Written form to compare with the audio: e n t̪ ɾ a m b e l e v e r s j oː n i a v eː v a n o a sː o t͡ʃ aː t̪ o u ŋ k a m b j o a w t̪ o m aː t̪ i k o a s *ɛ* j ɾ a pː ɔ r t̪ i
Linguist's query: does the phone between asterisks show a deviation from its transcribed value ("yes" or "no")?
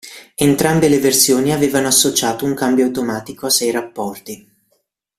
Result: no